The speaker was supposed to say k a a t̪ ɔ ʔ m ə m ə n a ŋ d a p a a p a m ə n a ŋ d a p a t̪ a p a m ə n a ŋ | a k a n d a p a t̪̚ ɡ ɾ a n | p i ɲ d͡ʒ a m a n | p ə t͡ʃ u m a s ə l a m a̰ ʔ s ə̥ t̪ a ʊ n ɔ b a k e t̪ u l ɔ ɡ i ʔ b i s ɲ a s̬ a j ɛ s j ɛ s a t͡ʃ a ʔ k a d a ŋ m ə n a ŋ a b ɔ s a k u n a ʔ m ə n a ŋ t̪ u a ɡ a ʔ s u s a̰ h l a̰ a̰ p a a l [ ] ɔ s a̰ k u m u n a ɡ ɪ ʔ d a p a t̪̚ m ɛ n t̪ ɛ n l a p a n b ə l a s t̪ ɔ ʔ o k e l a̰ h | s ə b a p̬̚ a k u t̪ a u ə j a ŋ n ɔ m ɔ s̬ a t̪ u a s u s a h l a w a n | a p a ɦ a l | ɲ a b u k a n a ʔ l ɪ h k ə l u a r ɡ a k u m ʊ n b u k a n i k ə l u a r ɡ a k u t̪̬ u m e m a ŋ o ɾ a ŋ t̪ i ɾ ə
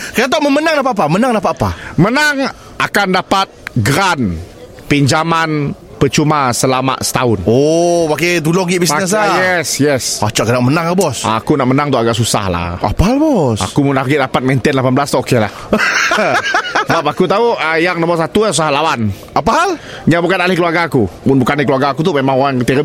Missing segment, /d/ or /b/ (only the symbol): b